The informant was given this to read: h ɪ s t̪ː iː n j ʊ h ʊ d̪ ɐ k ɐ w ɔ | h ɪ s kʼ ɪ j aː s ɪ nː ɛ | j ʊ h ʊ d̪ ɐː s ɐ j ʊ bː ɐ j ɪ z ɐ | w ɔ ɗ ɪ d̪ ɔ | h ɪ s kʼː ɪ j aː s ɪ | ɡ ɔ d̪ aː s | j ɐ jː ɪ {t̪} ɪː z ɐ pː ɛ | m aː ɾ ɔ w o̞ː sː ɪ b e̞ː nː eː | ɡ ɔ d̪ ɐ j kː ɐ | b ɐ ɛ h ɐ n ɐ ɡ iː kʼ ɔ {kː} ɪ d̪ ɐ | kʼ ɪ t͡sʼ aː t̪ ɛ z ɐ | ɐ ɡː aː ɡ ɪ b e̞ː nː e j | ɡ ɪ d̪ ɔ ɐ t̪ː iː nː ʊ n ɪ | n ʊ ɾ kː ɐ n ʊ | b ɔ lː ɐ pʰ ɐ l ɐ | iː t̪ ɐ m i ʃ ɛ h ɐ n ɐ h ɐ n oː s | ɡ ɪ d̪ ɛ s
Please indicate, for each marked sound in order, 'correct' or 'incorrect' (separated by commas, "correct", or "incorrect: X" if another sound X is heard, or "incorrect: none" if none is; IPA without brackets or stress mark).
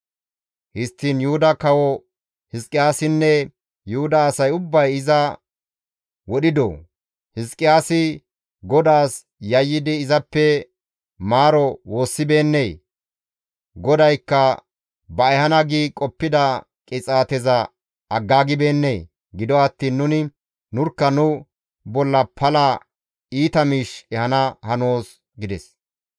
incorrect: d̪, incorrect: pː